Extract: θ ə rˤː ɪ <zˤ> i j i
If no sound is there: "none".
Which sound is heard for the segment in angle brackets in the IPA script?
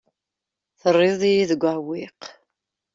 ðˤ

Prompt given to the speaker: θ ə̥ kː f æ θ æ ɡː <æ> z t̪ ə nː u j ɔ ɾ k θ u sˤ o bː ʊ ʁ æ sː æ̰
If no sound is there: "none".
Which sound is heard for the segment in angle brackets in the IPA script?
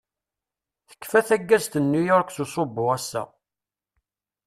æ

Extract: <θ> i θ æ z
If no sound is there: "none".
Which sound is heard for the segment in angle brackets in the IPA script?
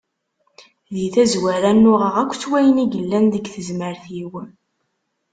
ð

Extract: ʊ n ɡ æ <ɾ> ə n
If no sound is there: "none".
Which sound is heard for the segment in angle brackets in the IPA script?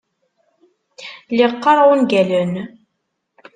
l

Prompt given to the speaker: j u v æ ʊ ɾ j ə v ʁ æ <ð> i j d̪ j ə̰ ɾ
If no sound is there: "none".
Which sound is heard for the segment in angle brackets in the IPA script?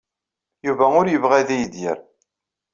ð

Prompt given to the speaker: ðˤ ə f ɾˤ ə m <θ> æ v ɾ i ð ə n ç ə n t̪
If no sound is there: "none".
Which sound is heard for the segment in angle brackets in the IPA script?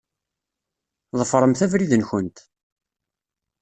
θ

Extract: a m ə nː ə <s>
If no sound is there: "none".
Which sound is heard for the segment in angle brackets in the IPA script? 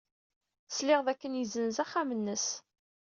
s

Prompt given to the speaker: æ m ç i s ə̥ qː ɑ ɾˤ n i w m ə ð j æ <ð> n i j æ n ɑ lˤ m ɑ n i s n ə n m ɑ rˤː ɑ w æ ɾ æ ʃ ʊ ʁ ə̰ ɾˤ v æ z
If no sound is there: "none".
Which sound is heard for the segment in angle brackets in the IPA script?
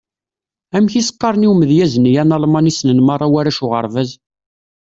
z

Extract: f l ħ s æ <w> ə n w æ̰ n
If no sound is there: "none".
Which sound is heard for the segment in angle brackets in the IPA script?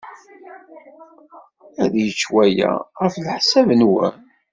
v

